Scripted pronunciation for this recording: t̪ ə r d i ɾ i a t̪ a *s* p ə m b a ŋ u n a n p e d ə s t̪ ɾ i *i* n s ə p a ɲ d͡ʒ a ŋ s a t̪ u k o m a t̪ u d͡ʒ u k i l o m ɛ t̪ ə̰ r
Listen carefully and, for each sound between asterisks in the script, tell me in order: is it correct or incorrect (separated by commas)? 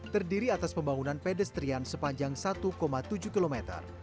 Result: correct, incorrect